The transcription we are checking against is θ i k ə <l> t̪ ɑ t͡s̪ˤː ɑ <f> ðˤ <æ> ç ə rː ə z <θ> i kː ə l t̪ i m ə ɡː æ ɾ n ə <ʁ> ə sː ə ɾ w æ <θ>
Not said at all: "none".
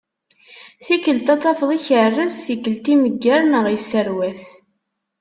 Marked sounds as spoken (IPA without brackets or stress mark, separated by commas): l, f, i, θ, ʁ, θ